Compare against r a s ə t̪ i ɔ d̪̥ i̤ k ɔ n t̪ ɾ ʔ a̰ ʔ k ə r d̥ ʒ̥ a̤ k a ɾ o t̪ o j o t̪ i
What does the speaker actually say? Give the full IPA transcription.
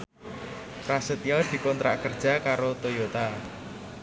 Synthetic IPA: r a s ə t̪ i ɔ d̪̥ i̤ k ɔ n t̪ ɾ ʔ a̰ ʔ k ə r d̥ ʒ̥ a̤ k a ɾ o t̪ o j o t̪ a